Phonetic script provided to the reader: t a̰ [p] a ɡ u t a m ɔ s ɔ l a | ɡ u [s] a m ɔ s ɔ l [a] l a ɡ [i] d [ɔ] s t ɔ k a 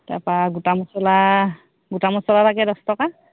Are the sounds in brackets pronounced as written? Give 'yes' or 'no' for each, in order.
yes, no, yes, no, yes

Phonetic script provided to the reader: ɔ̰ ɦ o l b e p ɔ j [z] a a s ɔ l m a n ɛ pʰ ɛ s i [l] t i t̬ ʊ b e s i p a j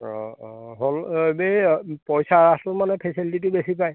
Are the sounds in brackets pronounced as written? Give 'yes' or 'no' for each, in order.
no, yes

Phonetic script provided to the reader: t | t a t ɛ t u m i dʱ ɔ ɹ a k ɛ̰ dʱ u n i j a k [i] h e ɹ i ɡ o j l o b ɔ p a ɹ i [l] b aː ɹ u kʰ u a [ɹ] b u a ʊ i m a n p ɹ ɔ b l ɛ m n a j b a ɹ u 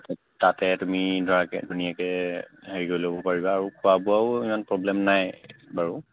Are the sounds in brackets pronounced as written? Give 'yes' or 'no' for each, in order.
no, no, no

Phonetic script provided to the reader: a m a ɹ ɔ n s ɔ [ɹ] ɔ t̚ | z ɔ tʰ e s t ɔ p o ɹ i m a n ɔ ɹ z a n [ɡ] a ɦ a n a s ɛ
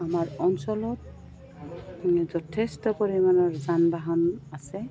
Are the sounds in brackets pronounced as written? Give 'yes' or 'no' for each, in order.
no, no

